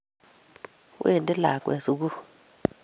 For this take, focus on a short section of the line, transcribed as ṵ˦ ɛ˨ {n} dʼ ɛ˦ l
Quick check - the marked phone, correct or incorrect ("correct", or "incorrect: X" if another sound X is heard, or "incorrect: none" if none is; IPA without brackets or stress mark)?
correct